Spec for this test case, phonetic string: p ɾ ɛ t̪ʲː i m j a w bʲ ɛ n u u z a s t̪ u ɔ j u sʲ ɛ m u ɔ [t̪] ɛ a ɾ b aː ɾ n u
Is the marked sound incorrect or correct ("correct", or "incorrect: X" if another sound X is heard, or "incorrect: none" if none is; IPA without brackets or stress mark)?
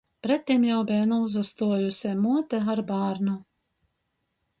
correct